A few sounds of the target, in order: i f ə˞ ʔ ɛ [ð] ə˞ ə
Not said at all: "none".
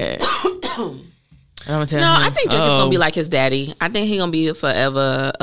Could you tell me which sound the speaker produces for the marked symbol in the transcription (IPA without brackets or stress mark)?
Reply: v